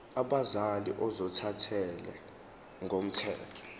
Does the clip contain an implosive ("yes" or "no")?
yes